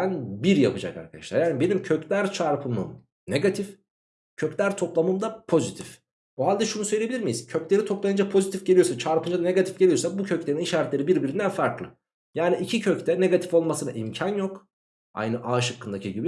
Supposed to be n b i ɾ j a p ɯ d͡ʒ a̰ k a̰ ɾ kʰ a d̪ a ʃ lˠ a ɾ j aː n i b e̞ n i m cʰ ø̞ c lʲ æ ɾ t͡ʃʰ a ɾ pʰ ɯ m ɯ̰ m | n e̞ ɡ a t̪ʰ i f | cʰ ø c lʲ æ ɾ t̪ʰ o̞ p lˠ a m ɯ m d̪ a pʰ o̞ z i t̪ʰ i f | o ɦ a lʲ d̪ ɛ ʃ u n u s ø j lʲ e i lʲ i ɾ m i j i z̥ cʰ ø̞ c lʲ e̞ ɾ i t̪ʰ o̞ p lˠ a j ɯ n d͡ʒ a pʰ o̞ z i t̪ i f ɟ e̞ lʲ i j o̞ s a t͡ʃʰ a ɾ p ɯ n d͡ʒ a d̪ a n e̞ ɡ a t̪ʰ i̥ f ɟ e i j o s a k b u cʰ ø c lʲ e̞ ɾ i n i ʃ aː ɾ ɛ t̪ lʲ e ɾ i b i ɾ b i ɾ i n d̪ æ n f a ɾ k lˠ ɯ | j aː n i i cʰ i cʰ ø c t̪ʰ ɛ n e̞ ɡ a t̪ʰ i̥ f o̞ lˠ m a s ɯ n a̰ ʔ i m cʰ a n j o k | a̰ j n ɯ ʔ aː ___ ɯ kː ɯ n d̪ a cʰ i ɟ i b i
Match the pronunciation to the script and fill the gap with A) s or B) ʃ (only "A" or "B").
B